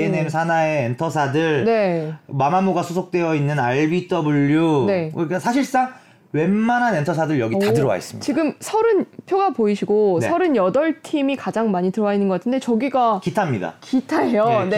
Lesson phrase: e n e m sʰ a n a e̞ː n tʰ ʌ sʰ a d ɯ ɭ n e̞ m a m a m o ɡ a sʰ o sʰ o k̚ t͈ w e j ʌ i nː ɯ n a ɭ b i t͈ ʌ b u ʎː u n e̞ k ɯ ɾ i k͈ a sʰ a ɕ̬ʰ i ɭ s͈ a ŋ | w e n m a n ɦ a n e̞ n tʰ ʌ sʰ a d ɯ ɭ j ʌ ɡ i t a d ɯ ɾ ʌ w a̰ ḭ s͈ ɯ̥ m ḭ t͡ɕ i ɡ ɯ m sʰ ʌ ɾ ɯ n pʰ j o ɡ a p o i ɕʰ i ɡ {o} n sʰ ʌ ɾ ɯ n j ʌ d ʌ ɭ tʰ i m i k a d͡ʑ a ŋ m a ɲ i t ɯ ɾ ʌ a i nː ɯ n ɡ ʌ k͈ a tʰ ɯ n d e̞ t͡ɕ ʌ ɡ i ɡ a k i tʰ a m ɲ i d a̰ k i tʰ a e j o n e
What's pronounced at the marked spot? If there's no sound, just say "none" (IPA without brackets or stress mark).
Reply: o